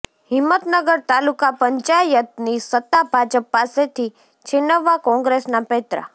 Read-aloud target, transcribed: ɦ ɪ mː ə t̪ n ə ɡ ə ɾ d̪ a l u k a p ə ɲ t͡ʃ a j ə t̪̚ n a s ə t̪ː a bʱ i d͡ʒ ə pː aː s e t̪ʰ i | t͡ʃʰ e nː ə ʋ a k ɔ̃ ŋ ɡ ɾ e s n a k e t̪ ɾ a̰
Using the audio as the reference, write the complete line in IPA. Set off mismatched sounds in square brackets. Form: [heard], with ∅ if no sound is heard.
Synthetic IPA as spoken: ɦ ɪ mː ə t̪ n ə ɡ ə ɾ [t̪] a l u k a p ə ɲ t͡ʃ a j ə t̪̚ n [i] s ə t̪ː a bʱ [a] d͡ʒ ə pː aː s e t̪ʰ i | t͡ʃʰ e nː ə ʋ a k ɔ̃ ŋ ɡ ɾ e s n a [p] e t̪ ɾ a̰